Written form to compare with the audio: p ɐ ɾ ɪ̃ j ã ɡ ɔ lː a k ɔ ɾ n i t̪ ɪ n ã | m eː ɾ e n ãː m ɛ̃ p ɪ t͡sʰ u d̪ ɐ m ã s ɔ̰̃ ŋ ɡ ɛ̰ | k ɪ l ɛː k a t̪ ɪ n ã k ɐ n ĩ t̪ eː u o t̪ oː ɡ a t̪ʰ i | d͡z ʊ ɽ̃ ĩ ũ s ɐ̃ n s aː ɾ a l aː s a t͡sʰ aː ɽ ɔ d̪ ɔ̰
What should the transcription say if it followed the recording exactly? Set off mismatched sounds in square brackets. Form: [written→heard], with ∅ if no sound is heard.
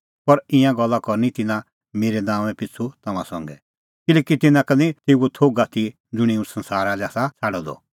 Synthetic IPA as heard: p ɐ ɾ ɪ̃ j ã ɡ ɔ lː a k ɔ ɾ n i t̪ ɪ n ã | m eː ɾ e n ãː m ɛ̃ p ɪ t͡sʰ u [d̪→t̪] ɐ m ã s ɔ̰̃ ŋ ɡ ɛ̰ | k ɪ l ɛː k [a→i] t̪ ɪ n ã k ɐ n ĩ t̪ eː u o [t̪→t̪ʰ] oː ɡ a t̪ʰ i | d͡z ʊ ɽ̃ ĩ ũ s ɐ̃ n s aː ɾ a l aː s a t͡sʰ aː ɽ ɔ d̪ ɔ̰